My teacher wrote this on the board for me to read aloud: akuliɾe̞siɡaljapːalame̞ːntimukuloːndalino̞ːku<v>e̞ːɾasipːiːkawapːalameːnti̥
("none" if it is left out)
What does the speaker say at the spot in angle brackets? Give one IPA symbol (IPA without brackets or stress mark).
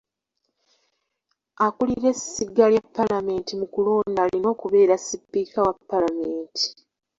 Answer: β